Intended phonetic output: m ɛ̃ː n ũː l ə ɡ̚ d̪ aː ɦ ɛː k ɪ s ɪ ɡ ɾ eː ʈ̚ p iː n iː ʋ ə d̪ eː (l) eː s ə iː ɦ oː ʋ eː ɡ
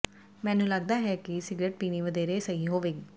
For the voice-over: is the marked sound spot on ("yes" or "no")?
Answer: no